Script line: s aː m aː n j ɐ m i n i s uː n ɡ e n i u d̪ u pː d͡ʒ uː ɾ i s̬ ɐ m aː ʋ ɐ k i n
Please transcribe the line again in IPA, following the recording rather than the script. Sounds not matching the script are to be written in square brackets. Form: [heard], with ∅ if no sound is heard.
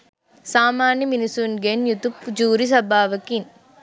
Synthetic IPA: s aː m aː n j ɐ m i n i s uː n ɡ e n [j] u [t̪] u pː d͡ʒ uː ɾ i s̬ ɐ [b] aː ʋ ɐ k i n

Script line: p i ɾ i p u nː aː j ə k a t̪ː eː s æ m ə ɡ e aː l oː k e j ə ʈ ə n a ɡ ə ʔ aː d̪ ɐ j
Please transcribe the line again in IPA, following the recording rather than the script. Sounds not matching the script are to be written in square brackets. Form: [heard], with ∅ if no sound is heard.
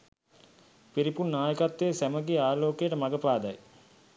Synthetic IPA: p i ɾ i p u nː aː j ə k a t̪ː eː s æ m ə ɡ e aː l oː k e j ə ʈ ə [m] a ɡ ə [p] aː d̪ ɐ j

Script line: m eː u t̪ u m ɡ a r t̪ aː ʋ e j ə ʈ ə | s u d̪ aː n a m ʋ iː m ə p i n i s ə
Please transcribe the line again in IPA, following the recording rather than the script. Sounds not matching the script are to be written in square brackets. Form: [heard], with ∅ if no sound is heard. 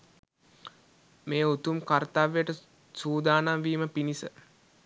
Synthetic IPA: m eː u t̪ u m [k] a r t̪ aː ʋ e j ə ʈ ə | s [uː] d̪ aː n a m ʋ iː m ə p i n i s ə

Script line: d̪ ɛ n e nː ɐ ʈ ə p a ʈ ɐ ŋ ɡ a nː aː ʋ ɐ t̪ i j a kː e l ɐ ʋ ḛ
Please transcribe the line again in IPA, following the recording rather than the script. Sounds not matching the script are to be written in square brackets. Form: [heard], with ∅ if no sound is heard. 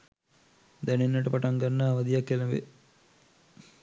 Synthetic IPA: d̪ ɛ n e nː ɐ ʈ ə p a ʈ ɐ ŋ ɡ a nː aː ʋ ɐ [d̪] i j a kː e l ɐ ʋ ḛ

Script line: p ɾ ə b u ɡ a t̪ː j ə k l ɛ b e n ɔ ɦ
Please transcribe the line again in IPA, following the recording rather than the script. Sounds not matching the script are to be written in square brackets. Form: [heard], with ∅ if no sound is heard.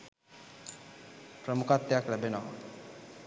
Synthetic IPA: p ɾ ə [m] u [k] a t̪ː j [a] k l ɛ b e n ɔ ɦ

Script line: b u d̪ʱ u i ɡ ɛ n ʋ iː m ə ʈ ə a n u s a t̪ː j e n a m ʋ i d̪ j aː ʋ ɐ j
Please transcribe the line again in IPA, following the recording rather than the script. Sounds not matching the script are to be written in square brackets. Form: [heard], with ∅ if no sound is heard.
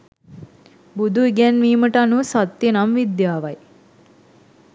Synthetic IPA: b u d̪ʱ u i ɡ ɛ n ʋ iː m ə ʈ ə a n u s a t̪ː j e n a m ʋ i d̪ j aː ʋ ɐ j

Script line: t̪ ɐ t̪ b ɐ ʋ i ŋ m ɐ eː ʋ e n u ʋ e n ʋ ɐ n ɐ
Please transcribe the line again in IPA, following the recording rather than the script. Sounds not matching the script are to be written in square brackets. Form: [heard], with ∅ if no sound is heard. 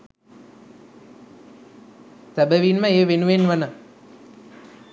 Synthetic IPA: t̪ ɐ [∅] b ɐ ʋ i [n] m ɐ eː ʋ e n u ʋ e n ʋ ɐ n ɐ

